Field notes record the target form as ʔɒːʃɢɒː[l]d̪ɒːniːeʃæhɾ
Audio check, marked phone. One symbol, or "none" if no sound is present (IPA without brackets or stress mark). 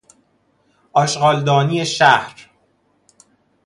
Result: l